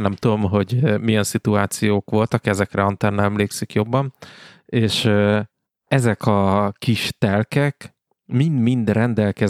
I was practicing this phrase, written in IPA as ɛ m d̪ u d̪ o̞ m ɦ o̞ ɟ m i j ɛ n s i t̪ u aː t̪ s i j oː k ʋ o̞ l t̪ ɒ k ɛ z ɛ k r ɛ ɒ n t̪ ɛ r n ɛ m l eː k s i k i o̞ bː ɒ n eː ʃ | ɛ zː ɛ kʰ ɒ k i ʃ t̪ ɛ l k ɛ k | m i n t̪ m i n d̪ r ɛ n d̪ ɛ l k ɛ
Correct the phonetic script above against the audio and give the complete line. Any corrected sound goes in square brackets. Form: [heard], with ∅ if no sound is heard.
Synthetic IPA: ɛ m [t̪] u d̪ o̞ m ɦ o̞ ɟ m i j ɛ n s i t̪ u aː t̪ s i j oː k ʋ o̞ l t̪ ɒ k ɛ z ɛ k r ɛ ɒ n t̪ ɛ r n ɛ m l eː k s i k [j] o̞ bː ɒ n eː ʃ | ɛ [z] ɛ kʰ ɒ k i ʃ t̪ ɛ l k ɛ k | m i n [d̪] m i n d̪ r ɛ n d̪ ɛ l k ɛ